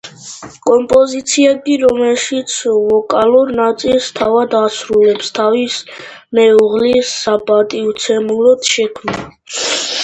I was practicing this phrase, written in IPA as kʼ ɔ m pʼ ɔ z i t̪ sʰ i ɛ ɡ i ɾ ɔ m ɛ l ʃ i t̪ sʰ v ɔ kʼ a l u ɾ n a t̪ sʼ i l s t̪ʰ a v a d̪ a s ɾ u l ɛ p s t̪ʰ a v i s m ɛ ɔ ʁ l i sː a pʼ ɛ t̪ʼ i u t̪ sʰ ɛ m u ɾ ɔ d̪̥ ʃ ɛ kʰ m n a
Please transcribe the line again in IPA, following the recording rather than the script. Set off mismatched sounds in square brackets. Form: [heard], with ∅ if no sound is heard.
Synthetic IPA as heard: kʼ ɔ m pʼ ɔ z i t̪ sʰ i ɛ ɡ i ɾ ɔ m ɛ l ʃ i t̪ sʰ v ɔ kʼ a l u ɾ n a t̪ sʼ i l s t̪ʰ a v a d̪ a s ɾ u l ɛ p s t̪ʰ a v i s m ɛ [u] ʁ l i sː a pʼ [a] t̪ʼ i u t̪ sʰ ɛ m u ɾ ɔ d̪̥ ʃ ɛ kʰ m n a